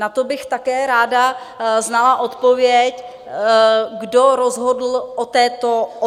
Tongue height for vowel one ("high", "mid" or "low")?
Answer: low